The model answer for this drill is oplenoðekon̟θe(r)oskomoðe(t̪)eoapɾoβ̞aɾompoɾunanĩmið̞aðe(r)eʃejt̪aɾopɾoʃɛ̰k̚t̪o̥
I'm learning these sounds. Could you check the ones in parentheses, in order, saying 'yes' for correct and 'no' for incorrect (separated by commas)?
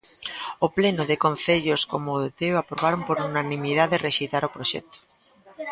no, yes, yes